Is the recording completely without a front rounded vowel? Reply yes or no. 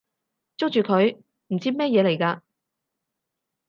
no